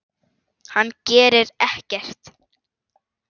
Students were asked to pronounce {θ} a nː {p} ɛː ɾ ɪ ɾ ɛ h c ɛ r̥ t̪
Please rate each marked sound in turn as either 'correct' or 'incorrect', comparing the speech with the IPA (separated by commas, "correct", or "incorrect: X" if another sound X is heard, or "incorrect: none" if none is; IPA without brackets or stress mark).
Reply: incorrect: h, incorrect: c